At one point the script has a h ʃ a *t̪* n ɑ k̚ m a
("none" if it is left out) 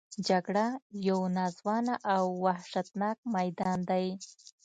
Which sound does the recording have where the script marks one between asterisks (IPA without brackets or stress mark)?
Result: t̪